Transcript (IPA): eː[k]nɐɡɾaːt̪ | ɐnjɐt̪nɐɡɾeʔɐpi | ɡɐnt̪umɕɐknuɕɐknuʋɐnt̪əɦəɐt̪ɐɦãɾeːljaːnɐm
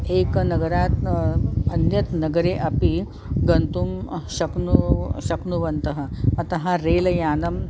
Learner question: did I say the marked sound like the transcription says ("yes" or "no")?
yes